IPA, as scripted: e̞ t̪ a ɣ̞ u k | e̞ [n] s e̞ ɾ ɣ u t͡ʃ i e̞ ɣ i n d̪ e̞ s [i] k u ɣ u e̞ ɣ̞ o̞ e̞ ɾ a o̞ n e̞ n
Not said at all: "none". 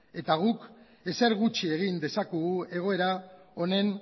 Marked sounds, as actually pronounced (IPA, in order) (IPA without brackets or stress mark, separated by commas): none, a